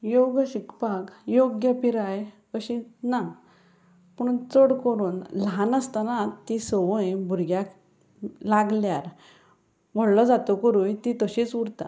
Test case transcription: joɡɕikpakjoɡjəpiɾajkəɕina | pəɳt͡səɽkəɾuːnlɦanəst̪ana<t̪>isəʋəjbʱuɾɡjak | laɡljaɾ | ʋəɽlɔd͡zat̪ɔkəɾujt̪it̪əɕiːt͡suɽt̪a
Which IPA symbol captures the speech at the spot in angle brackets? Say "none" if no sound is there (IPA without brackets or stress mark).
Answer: t̪